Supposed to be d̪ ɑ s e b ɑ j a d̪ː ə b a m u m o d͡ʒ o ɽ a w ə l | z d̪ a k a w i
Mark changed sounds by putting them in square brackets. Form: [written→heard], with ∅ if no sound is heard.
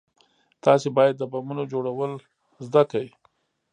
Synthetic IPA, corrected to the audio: [d̪→t̪] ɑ s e b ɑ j a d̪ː ə b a m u [m→n] o d͡ʒ o ɽ a w ə l | z d̪ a k a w i